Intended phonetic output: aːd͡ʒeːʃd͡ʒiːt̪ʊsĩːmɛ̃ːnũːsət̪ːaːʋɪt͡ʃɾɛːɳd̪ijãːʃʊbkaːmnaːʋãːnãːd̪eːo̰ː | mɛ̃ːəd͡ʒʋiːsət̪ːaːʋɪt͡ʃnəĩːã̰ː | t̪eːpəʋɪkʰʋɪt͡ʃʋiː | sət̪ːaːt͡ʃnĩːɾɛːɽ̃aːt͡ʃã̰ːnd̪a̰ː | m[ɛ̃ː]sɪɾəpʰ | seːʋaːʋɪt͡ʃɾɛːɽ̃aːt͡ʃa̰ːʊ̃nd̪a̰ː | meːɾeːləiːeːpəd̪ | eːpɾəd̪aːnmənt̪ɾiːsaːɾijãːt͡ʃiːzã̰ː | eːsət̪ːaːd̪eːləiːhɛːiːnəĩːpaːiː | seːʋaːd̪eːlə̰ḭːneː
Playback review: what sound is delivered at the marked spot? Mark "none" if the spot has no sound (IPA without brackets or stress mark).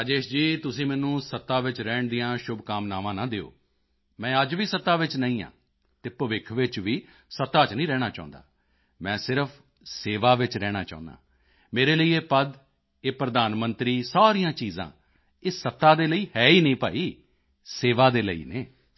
ɛ̃ː